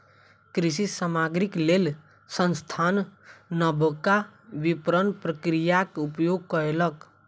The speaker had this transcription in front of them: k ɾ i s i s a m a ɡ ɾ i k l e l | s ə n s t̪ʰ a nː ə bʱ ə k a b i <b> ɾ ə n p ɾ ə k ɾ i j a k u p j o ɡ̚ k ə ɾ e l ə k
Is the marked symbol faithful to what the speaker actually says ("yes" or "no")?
no